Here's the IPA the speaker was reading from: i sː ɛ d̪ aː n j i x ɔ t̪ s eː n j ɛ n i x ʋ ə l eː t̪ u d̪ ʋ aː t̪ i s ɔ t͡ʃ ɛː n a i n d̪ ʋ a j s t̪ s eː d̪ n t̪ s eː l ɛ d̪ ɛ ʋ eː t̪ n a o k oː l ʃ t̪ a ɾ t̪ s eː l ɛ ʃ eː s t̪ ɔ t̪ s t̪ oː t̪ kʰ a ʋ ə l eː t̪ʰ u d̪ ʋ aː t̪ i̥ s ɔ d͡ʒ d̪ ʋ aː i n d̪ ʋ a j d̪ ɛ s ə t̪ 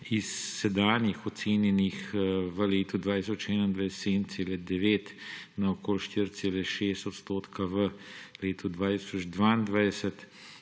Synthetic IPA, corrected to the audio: i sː ɛ d̪ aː n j i x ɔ t̪ s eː n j ɛ n i x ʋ ə l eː t̪ u d̪ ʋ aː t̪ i s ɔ t͡ʃ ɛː n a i n d̪ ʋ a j s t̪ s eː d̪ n t̪ s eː l ɛ d̪ ɛ ʋ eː t̪ n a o k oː l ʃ t̪ i ɾ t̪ s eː l ɛ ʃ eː s t̪ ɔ t̪ s t̪ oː t̪ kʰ a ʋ ə l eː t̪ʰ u d̪ ʋ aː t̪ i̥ s ɔ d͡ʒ d̪ ʋ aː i n d̪ ʋ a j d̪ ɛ s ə t̪

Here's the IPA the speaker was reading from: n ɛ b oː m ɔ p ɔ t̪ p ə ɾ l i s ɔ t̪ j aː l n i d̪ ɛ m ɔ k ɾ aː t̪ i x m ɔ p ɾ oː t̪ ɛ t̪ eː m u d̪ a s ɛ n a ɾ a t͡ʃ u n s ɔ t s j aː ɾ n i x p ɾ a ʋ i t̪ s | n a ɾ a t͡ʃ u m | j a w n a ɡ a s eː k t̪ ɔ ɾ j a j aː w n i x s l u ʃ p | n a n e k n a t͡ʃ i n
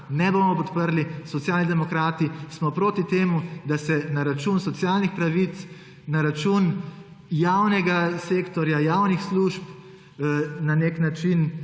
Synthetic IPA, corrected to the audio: n ɛ b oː m ɔ p ɔ t̪ p ə ɾ l i s ɔ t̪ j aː l n i d̪ ɛ m ɔ k ɾ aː t̪ i s m ɔ p ɾ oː t̪ i t̪ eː m u d̪ a s ɛ n a ɾ a t͡ʃ u n s ɔ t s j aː l n i x p ɾ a ʋ i t̪ s | n a ɾ a t͡ʃ u n | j a w n ɛ ɡ a s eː k t̪ ɔ ɾ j a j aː w n i x s l u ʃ p | n a n e k n a t͡ʃ i n

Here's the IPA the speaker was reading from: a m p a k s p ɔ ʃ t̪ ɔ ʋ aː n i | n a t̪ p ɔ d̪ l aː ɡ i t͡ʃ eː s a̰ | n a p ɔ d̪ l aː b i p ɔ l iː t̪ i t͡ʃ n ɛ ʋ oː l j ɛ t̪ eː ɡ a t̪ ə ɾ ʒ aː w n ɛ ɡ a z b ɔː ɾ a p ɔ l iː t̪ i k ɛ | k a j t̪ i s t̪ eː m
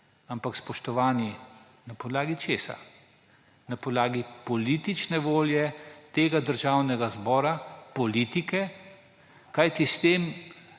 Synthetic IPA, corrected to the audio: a m p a k s p ɔ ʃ t̪ ɔ ʋ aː n i | n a p ɔ d̪ l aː ɡ i t͡ʃ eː s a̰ | n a p ɔ d̪ l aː ɡ i p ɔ l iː t̪ i t͡ʃ n ɛ ʋ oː l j ɛ t̪ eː ɡ a d̪ ə ɾ ʒ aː w n ɛ ɡ a z b ɔː ɾ a p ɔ l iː t̪ i k ɛ | k a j t̪ i s t̪ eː m

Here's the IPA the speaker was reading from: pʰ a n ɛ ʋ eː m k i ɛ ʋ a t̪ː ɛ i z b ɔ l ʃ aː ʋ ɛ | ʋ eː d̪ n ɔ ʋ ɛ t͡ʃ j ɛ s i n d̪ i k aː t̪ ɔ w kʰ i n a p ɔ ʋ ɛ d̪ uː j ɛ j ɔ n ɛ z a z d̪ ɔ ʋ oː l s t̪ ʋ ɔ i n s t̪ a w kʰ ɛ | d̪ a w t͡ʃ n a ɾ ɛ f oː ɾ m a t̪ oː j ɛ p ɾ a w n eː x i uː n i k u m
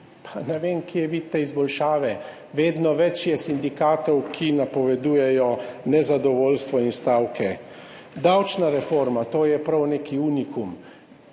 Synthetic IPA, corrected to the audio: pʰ a n ɛ ʋ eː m k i ɛ ʋ i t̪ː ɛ i z b ɔ l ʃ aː ʋ ɛ | ʋ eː d̪ n ɔ ʋ ɛ t͡ʃ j ɛ s i n d̪ i k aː t̪ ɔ w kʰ i n a p ɔ ʋ ɛ d̪ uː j ɛ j ɔ n ɛ z a d̪ ɔ ʋ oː l s t̪ ʋ ɔ i n s t̪ a w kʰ ɛ | d̪ a w t͡ʃ n a ɾ ɛ f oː ɾ m a t̪ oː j ɛ p ɾ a w n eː k i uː n i k u m

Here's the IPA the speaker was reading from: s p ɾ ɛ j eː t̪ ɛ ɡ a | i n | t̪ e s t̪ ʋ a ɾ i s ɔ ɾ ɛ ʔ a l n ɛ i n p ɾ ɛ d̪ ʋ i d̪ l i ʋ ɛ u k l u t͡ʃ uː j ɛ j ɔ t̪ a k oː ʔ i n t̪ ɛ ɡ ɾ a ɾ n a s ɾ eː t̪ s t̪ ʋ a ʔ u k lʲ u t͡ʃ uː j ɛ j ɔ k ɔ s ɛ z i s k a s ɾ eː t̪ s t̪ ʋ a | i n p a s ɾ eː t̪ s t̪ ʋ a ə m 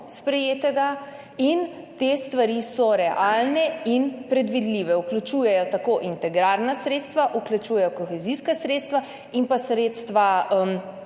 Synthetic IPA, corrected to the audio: s p ɾ ɛ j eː t̪ ɛ ɡ a | i n | t̪ e s t̪ ʋ a ɾ i s ɔ ɾ ɛ ʔ a l n ɛ i n p ɾ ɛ d̪ ʋ i d̪ l i ʋ ɛ u k l u t͡ʃ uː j ɛ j ɔ t̪ a k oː ʔ i n t̪ ɛ ɡ ɾ a ɾ n a s ɾ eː t̪ s t̪ ʋ a ʔ u k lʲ u t͡ʃ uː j ɛ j ɔ k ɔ x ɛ z i s k a s ɾ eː t̪ s t̪ ʋ a | i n p a s ɾ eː t̪ s t̪ ʋ a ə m

